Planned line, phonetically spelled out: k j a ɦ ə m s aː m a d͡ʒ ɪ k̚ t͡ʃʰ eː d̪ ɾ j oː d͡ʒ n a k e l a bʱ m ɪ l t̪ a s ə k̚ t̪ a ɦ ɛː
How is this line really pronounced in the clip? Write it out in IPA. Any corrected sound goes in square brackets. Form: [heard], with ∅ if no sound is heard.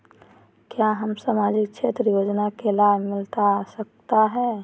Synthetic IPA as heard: k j a ɦ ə m s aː m a d͡ʒ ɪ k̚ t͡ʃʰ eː [t̪] ɾ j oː d͡ʒ n a k e l a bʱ m ɪ l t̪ a s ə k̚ t̪ a ɦ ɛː